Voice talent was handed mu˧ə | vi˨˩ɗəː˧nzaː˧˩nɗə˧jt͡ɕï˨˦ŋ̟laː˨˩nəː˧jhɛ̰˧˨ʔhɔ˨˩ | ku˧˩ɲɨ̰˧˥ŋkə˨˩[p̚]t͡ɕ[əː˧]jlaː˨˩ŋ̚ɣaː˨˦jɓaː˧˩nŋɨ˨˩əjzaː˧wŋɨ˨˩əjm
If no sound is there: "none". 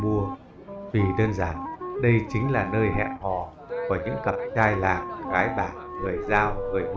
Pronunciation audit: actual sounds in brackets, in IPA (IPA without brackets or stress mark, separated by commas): p̚, aː˧